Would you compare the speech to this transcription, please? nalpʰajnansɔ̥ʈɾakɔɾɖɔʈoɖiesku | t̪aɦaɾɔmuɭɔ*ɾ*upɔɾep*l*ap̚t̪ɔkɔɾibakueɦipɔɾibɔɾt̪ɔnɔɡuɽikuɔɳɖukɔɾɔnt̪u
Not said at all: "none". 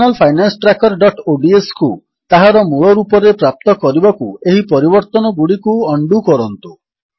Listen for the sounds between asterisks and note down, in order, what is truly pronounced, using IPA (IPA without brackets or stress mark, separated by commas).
ɾ, ɾ